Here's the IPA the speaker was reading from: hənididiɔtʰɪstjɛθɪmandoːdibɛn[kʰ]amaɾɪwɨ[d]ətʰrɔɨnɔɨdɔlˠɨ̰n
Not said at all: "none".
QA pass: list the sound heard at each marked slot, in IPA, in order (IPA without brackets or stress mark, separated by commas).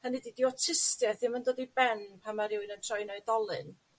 pʰ, n